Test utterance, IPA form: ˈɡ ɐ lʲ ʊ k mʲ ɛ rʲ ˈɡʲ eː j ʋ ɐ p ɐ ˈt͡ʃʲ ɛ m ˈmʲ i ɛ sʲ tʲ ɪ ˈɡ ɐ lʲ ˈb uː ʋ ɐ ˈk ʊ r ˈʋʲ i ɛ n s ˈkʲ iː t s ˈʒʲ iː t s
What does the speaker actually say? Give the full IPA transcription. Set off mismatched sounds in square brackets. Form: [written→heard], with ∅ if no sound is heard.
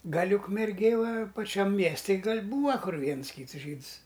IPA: ˈɡ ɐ lʲ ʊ k mʲ ɛ rʲ ˈɡʲ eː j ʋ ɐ p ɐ ˈt͡ʃʲ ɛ m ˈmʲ i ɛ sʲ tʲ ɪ ˈɡ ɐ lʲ ˈb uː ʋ ɐ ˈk ʊ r ˈʋʲ i ɛ n s ˈkʲ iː t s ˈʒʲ iː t s